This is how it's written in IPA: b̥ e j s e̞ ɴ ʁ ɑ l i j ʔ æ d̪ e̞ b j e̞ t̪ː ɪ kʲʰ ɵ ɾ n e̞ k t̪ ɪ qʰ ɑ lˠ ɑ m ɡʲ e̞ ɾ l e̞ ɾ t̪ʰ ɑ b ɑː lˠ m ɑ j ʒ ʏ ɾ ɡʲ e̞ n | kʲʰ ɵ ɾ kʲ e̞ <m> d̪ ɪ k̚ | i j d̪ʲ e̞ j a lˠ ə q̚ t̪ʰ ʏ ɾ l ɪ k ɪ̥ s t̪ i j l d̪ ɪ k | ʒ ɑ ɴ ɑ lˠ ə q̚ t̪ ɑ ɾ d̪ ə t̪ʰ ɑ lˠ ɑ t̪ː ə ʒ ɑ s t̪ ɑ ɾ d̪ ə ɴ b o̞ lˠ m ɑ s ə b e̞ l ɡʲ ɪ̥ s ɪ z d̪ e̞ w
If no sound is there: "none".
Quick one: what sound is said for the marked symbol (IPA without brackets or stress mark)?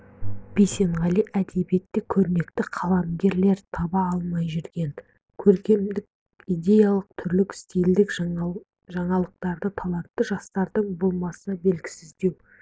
m